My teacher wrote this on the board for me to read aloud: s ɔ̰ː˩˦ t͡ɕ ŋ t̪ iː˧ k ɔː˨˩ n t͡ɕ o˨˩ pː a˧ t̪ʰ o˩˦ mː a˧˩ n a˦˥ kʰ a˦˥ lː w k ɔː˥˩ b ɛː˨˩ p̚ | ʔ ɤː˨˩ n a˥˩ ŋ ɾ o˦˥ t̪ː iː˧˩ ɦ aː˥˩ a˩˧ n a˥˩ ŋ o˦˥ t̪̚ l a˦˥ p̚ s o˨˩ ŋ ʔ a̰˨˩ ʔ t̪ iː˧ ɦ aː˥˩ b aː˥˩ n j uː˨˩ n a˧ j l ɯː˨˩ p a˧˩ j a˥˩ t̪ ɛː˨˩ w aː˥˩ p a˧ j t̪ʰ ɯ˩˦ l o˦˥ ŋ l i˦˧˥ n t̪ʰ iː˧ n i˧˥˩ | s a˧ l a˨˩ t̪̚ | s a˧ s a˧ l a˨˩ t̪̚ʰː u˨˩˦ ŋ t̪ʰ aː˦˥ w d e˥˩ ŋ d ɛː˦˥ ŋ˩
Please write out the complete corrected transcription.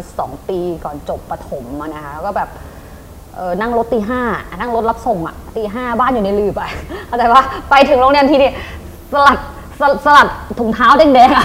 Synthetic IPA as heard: s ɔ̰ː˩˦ ŋ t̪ iː˧ k ɔː˨˩ n t͡ɕ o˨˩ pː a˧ t̪ʰ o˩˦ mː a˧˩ n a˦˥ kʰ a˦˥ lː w k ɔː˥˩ b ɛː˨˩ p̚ | ʔ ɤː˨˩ n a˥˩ ŋ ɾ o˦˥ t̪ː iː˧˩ ɦ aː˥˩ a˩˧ n a˥˩ ŋ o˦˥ t̪̚ l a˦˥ p̚ s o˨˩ ŋ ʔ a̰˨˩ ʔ t̪ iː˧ ɦ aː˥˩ b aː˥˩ n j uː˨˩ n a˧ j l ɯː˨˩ p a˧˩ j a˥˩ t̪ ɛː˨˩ w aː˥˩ p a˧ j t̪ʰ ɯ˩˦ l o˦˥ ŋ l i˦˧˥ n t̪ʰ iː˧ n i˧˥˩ | s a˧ l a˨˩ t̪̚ | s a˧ s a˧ l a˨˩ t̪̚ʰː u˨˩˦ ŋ t̪ʰ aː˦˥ w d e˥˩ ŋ d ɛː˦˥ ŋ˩